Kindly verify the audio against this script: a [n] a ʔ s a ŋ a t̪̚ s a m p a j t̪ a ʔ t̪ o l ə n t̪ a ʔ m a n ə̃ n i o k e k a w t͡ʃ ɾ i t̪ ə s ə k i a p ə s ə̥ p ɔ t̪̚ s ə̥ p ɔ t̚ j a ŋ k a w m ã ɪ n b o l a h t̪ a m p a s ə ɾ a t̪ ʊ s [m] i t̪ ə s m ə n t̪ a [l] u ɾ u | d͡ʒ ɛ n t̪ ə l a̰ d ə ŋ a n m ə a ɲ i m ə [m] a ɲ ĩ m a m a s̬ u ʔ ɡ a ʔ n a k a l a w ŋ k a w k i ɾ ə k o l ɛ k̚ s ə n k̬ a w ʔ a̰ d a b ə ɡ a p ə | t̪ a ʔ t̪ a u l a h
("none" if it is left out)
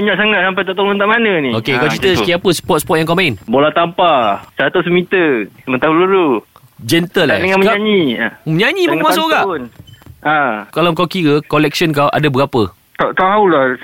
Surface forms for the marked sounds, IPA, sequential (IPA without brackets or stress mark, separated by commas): ɲ, m, l, ɲ